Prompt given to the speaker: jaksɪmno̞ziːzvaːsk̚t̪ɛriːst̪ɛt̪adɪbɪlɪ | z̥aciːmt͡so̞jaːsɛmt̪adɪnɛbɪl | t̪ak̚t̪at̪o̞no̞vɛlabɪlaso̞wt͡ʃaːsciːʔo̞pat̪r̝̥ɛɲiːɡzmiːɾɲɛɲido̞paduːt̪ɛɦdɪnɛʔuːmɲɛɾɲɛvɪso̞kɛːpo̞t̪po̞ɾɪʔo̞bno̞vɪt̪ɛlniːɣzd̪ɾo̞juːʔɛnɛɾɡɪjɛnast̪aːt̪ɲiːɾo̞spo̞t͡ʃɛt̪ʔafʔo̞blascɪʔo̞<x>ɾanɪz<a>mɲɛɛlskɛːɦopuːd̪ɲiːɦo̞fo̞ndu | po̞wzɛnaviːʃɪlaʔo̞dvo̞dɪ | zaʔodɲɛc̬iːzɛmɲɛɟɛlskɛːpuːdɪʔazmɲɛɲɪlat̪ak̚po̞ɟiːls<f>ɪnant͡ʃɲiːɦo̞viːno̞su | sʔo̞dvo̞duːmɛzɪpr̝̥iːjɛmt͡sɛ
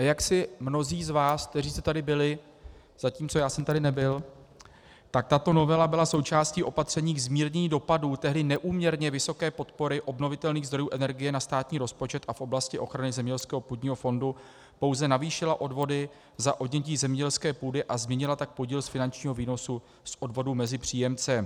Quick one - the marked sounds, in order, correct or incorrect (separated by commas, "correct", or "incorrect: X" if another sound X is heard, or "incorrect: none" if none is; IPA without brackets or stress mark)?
correct, incorrect: ɛ, correct